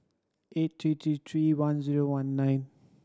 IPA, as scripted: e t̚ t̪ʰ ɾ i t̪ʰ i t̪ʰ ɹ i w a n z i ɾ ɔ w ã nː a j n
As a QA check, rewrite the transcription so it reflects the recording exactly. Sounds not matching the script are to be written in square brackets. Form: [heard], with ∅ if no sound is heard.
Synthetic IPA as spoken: e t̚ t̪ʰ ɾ i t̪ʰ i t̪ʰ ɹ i w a n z i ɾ [o] w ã nː a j n